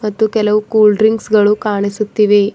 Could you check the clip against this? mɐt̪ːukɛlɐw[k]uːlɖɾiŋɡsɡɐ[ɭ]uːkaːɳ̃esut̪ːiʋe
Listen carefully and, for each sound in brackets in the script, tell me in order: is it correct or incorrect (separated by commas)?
correct, correct